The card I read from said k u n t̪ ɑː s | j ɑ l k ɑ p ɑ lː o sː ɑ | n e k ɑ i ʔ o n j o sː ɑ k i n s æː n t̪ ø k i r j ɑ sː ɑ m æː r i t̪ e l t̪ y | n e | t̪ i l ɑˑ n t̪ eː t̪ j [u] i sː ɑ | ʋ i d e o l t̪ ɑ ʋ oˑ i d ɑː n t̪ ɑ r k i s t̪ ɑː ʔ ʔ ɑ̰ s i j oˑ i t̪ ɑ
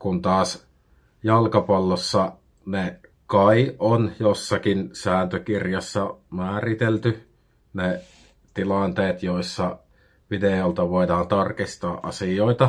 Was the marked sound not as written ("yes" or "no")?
yes